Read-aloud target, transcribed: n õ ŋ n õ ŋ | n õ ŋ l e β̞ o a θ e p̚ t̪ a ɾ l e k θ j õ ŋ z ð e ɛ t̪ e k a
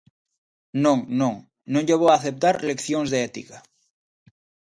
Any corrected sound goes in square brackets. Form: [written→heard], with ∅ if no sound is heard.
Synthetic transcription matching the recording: n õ ŋ n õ ŋ | n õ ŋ [l→ʎ] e β̞ o a θ e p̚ t̪ a ɾ l e k θ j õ ŋ z ð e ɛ t̪ [e→i] k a